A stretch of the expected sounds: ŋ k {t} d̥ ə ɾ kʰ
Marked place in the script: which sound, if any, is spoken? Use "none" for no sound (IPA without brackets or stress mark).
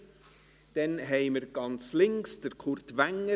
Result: s